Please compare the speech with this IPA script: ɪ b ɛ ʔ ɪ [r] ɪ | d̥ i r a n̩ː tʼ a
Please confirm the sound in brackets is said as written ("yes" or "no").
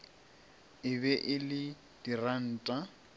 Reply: no